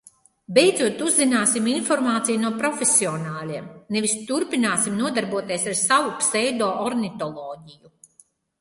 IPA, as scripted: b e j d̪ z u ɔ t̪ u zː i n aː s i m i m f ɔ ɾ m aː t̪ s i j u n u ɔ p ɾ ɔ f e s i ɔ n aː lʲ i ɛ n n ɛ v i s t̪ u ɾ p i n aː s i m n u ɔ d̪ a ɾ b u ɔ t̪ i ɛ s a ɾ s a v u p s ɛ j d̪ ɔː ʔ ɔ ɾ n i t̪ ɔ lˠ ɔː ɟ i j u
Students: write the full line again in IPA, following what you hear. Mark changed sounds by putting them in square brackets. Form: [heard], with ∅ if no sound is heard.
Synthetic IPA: b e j d̪ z u ɔ t̪ u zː i n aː s i m i [n] f ɔ ɾ m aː t̪ s i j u n u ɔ p ɾ ɔ f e s i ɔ n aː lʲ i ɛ [m] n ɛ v i s t̪ u ɾ p i n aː s i m n u ɔ d̪ a ɾ b u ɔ t̪ i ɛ s a ɾ s a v u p s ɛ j d̪ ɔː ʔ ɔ ɾ n i t̪ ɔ lˠ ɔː ɟ i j u

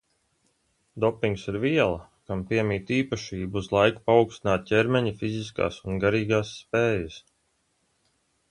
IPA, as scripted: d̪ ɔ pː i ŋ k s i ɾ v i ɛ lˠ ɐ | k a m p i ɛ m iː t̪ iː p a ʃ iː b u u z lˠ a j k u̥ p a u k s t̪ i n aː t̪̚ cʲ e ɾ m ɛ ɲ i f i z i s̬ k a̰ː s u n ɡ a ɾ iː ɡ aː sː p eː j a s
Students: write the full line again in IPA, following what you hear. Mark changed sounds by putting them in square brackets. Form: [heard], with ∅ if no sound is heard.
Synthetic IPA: d̪ ɔ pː i ŋ k s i ɾ v i ɛ lˠ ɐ | k a m p i ɛ m iː t̪ iː p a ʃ iː b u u z lˠ a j k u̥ p a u k s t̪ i n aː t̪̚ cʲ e ɾ m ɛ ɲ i f i z i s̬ k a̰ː s u n ɡ a ɾ iː ɡ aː sː p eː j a s

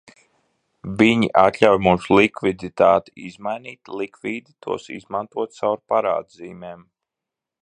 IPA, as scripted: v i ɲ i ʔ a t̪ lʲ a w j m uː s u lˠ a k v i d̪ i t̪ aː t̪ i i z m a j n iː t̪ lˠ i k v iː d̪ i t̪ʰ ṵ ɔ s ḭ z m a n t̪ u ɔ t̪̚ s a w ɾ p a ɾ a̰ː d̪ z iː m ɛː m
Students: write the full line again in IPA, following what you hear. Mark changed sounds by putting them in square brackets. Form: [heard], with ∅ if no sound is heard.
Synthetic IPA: v i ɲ i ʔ a t̪ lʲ a w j m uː s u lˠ [i] k v i d̪ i t̪ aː t̪ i i z m a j n iː t̪ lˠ i k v iː d̪ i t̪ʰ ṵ ɔ s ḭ z m a n t̪ u ɔ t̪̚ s a w ɾ p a ɾ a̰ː d̪ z iː m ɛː m

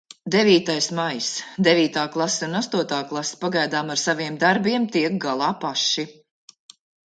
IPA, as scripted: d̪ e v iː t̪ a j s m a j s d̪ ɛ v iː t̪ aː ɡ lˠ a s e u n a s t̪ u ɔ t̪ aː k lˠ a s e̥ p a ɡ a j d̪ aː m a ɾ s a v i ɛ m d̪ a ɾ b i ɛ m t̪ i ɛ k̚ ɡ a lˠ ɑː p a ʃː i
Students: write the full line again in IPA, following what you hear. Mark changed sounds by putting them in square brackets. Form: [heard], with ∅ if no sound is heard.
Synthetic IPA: d̪ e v iː t̪ a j s m a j s d̪ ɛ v iː t̪ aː [k] lˠ a s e u n a s t̪ u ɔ t̪ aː k lˠ a s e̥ p a ɡ a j d̪ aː m a ɾ s a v i ɛ m d̪ a ɾ b i ɛ m t̪ i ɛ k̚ ɡ a lˠ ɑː p a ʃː i

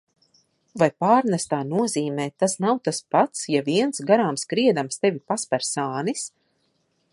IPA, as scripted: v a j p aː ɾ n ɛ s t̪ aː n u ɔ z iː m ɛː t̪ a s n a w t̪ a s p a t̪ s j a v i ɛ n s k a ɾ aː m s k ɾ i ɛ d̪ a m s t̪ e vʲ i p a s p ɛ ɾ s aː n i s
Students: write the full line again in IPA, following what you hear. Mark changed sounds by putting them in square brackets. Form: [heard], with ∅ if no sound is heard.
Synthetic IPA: v a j p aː ɾ n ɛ s t̪ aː n u ɔ z iː m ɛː t̪ a s n a w t̪ a s p a t̪ s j a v i ɛ n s [ɡ] a ɾ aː m s k ɾ i ɛ d̪ a m s t̪ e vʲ i p a s p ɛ ɾ s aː n i s

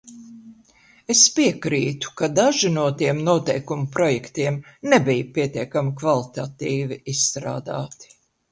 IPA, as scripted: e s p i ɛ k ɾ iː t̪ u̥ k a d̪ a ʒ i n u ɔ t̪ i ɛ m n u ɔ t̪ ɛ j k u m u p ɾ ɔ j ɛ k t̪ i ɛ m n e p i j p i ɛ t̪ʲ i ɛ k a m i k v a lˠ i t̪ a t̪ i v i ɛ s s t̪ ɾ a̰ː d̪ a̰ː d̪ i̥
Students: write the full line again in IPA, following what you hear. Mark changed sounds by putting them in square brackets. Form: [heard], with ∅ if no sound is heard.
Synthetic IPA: e s p i ɛ k ɾ iː t̪ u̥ k a d̪ a ʒ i n u ɔ t̪ i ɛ m n u ɔ t̪ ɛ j k u m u p ɾ ɔ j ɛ k t̪ i ɛ m n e [b] i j p i ɛ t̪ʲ i ɛ k a m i k v a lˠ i t̪ a t̪ [iː] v i [i] s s t̪ ɾ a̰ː d̪ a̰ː [t̪] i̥

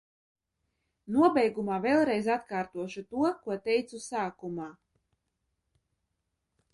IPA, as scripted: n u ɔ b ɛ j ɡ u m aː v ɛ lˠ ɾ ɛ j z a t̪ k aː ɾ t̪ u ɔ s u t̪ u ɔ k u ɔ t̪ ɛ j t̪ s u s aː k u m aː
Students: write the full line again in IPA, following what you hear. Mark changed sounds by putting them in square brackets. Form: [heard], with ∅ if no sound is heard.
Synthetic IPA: n u ɔ b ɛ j ɡ u m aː v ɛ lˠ ɾ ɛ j z a t̪ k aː ɾ t̪ u ɔ [ʃ] u t̪ u ɔ k u ɔ t̪ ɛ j t̪ s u s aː k u m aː

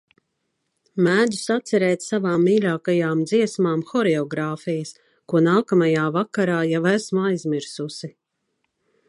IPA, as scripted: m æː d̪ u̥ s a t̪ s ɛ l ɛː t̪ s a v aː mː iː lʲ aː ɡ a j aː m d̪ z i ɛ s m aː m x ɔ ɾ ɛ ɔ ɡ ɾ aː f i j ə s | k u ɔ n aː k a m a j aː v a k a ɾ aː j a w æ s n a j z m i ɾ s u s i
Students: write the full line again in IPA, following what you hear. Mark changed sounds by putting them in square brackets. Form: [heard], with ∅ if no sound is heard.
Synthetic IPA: m æː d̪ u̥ s a t̪ s ɛ [ɾ] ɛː t̪ s a v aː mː iː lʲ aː [k] a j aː m d̪ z i ɛ s m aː m x ɔ ɾ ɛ ɔ ɡ ɾ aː f i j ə s | k u ɔ n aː k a m a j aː v a k a ɾ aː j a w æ s [m] a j z m i ɾ s u s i

